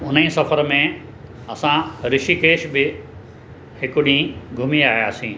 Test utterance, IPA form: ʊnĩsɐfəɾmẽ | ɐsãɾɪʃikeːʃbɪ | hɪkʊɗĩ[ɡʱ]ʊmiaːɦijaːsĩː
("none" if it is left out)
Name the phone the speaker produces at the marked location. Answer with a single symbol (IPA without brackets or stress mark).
ɡʱ